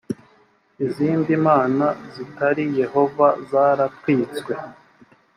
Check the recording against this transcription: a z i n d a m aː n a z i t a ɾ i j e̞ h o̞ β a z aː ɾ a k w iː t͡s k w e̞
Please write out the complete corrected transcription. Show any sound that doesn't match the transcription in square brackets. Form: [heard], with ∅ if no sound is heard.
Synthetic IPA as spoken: [i] z [iː] n d [i] m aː n a z i t a ɾ i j e̞ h o̞ [v] a z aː ɾ a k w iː t͡s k w e̞